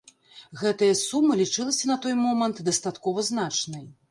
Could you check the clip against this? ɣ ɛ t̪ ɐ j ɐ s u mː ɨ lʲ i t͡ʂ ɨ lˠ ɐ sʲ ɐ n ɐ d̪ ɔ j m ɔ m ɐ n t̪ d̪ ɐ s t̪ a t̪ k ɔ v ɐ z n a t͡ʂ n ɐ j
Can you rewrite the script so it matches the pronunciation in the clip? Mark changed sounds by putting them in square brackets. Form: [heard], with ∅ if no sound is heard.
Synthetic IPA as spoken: ɣ ɛ t̪ ɐ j ɐ s u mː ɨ lʲ i t͡ʂ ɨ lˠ ɐ sʲ ɐ n ɐ [t̪] ɔ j m ɔ m ɐ n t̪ d̪ ɐ s t̪ a t̪ k ɔ v ɐ z n a t͡ʂ n ɐ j